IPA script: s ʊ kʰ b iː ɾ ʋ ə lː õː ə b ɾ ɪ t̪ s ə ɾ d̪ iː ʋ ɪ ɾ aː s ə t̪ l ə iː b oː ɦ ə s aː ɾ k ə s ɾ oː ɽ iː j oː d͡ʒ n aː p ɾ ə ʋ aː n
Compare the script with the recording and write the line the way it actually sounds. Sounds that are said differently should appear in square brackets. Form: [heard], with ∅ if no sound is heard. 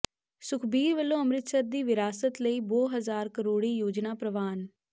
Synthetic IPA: s ʊ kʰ b iː ɾ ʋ ə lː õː ə [m] ɾ ɪ t̪ s ə ɾ d̪ iː ʋ ɪ ɾ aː s ə t̪ l ə iː b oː ɦ ə [z] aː ɾ k ə [∅] ɾ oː ɽ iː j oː d͡ʒ n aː p ɾ ə ʋ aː n